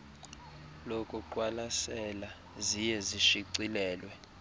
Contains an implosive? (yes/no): no